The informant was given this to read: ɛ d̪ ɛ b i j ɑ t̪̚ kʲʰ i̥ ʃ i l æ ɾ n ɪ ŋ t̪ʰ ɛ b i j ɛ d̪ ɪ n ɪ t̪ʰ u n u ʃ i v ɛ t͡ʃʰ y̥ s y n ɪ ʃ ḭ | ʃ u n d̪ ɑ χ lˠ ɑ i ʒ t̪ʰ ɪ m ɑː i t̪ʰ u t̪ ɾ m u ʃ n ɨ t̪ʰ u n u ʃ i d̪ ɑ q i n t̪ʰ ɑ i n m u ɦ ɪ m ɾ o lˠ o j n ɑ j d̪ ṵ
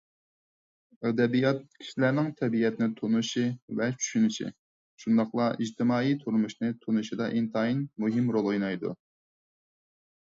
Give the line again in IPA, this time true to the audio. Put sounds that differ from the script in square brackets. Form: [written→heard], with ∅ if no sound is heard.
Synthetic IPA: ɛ d̪ ɛ b i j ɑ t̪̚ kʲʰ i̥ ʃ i l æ ɾ n ɪ ŋ t̪ʰ ɛ b i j ɛ [d̪→t̪] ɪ n ɪ t̪ʰ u n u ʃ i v ɛ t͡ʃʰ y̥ [s→ʃ] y n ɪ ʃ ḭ | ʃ u n d̪ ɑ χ lˠ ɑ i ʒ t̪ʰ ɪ m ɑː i t̪ʰ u [t̪→∅] ɾ m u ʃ n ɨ t̪ʰ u n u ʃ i d̪ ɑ [q→ʔ] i n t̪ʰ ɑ i n m u ɦ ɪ m ɾ o lˠ o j n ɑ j d̪ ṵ

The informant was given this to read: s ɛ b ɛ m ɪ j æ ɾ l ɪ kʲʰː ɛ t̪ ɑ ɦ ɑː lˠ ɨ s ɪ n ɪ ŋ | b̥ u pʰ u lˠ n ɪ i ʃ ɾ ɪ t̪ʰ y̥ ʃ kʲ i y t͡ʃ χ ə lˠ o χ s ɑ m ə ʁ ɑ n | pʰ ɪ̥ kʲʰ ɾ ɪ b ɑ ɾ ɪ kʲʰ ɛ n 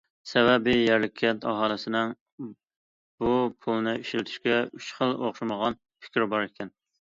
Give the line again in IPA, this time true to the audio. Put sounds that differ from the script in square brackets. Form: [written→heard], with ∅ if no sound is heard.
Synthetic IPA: s ɛ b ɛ [m→b] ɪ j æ ɾ l ɪ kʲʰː ɛ t̪ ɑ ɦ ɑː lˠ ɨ s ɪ n ɪ ŋ | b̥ u pʰ u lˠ n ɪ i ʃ [ɾ→l] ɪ t̪ʰ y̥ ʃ kʲ [i→ɛ] y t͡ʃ χ ə lˠ o χ [s→ʃ] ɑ m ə ʁ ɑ n | pʰ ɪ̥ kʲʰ ɾ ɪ b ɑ ɾ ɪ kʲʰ ɛ n

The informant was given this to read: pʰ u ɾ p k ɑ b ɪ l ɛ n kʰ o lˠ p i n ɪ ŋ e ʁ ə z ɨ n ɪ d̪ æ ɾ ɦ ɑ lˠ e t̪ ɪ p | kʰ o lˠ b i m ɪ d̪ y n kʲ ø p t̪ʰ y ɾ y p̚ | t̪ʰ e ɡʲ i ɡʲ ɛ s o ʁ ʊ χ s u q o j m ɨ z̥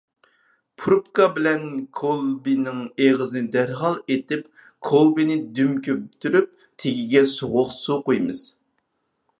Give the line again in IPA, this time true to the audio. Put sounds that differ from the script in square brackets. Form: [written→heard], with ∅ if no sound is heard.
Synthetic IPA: pʰ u ɾ p k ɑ b ɪ l ɛ n kʰ o lˠ [p→b] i n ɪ ŋ e ʁ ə z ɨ n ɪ d̪ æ ɾ ɦ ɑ lˠ e t̪ ɪ p | kʰ o lˠ b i [m→n] ɪ d̪ y [n→m] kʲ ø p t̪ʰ y ɾ y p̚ | t̪ʰ e ɡʲ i ɡʲ ɛ s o ʁ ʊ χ s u q o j m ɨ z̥

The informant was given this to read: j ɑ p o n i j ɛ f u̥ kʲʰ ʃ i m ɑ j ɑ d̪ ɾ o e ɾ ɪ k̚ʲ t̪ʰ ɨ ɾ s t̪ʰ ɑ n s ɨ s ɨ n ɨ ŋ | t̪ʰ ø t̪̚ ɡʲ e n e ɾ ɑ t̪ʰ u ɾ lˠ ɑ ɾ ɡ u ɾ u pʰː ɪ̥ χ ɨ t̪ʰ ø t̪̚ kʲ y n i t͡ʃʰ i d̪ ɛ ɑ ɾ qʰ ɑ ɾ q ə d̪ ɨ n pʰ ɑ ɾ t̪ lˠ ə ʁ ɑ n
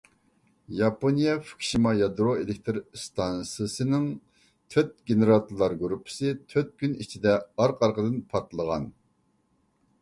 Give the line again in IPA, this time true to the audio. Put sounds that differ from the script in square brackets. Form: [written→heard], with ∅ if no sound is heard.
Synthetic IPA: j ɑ p o n i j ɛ f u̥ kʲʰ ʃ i m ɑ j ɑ d̪ ɾ o e [ɾ→l] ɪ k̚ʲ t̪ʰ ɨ ɾ s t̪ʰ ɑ n s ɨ s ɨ n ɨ ŋ | t̪ʰ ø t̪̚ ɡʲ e n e ɾ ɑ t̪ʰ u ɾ lˠ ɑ ɾ ɡ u ɾ u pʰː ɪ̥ [χ→s] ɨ t̪ʰ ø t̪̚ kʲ y n i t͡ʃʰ i d̪ ɛ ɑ ɾ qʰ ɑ ɾ q ə d̪ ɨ n pʰ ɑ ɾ t̪ lˠ ə ʁ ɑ n

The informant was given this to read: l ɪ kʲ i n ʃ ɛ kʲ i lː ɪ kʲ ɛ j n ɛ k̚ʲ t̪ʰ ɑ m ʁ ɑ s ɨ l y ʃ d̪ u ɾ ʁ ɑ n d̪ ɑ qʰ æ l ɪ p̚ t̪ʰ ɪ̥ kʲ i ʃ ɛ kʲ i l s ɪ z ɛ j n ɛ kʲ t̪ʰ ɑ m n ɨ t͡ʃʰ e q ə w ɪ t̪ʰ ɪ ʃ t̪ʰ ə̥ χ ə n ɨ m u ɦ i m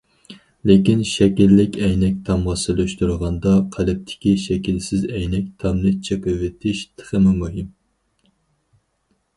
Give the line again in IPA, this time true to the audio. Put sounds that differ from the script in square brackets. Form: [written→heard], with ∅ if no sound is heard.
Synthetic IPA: l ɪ kʲ i n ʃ ɛ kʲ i lː ɪ kʲ ɛ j n ɛ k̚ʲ t̪ʰ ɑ m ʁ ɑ s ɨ l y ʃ [d̪→t̪] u ɾ ʁ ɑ n d̪ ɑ qʰ æ l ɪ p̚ t̪ʰ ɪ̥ kʲ i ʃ ɛ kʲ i l s ɪ z ɛ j n ɛ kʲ t̪ʰ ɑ m n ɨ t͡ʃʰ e q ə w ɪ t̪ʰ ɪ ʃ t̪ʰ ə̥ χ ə [n→m] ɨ m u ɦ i m

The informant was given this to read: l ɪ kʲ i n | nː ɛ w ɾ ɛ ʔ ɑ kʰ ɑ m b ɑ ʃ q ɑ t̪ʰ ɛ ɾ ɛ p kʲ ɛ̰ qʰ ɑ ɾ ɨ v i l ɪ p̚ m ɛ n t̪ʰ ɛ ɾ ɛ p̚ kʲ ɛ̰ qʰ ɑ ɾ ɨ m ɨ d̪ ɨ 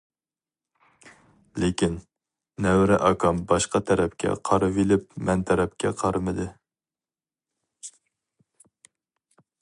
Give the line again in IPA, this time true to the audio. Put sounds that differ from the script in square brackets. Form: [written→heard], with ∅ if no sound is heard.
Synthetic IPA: l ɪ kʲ i n | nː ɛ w ɾ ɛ ʔ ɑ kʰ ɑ m b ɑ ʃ q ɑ t̪ʰ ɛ ɾ ɛ p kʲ ɛ̰ qʰ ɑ ɾ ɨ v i l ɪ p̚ m ɛ n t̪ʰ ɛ ɾ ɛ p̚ kʲ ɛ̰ qʰ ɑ ɾ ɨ m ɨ d̪ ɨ

